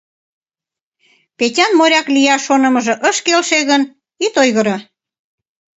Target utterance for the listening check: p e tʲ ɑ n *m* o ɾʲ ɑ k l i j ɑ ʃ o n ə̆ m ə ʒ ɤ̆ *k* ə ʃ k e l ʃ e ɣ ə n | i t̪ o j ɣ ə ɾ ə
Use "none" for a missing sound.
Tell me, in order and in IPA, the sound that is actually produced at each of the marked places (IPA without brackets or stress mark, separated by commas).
m, ʔ